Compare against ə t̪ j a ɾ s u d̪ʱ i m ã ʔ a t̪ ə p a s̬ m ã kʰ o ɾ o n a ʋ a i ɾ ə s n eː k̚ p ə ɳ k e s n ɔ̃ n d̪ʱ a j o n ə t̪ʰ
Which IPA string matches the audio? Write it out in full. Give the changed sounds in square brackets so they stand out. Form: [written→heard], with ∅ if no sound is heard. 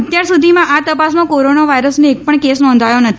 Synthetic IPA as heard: ə t̪ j a ɾ s u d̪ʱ i m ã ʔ a t̪ ə p a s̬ m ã [kʰ→k] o ɾ o n a ʋ a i ɾ ə s n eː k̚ p ə ɳ k e s n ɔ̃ n d̪ʱ a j o n ə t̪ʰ